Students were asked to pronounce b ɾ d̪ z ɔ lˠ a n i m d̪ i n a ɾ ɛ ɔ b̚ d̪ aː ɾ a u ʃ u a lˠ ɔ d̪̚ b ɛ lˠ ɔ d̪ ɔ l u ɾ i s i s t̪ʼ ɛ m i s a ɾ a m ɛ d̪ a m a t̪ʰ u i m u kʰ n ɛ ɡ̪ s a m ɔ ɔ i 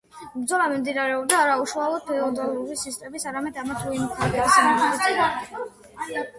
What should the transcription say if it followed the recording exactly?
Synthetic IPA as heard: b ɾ d̪ z ɔ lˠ a m i m d̪ i n a ɾ ɛ ɔ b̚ d̪ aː ɾ a u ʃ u a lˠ ɔ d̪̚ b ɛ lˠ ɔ d̪ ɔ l u ɾ i s i s t̪ʼ ɛ m i s a ɾ a m ɛ d̪ a m a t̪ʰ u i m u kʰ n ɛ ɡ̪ s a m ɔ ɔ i